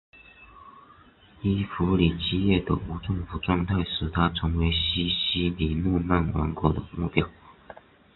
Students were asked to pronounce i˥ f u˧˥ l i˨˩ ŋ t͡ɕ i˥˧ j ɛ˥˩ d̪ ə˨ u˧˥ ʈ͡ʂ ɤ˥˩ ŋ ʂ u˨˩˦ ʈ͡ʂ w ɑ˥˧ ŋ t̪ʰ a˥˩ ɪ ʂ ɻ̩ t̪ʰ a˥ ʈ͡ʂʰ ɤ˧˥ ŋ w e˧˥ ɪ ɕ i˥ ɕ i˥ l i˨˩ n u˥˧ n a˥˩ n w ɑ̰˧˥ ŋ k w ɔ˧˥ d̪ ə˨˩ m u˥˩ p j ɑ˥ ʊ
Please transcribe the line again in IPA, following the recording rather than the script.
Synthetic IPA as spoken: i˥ f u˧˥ l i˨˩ t͡ɕ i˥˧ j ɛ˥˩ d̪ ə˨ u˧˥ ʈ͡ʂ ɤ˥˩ ŋ f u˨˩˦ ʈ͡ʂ w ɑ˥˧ ŋ t̪ʰ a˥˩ ɪ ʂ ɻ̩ t̪ʰ a˥ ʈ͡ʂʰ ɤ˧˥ ŋ w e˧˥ ɪ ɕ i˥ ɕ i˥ l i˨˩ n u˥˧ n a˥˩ n w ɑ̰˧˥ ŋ k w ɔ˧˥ d̪ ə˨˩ m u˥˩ p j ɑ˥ ʊ